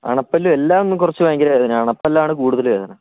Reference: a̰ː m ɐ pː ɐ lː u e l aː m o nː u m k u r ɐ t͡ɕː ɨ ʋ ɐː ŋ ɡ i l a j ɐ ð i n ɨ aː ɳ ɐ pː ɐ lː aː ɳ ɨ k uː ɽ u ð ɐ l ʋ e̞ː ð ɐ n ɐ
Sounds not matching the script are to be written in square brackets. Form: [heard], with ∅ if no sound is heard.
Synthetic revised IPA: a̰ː [ɳ] ɐ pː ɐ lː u e [lː] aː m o nː u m k u r ɐ t͡ɕː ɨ ʋ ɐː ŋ ɡ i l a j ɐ ð i n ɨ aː ɳ ɐ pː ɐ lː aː ɳ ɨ k uː ɽ u ð ɐ l ʋ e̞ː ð ɐ n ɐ